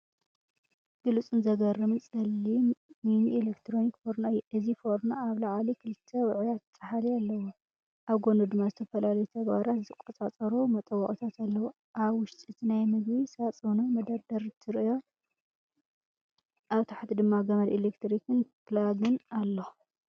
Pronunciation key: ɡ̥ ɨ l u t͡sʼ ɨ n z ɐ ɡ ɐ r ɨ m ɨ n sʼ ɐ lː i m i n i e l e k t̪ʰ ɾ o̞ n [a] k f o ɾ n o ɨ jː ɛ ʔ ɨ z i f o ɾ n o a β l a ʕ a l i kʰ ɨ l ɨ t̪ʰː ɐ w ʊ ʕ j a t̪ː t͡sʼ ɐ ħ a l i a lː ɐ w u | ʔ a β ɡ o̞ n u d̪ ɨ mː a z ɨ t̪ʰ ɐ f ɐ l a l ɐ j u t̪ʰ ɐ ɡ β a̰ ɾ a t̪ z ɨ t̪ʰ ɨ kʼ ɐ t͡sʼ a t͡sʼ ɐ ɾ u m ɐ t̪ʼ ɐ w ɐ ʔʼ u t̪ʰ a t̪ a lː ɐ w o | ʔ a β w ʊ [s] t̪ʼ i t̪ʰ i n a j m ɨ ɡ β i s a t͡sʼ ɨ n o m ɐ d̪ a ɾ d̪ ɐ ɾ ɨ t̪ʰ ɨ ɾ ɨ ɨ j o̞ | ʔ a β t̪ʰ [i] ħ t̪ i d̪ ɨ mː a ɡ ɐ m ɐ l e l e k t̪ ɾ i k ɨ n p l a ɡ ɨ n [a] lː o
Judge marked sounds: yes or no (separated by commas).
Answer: no, no, no, yes